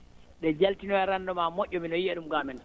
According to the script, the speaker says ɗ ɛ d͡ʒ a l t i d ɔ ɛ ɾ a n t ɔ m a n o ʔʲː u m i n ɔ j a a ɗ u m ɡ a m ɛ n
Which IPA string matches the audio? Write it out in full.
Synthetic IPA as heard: ɗ ɛ d͡ʒ a l t i n ɔ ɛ ɾ a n d ɔ m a m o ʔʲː ɔ m i n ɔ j i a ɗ u m ɡ a m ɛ n